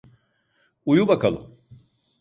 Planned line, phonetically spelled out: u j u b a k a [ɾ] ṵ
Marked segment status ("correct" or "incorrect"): incorrect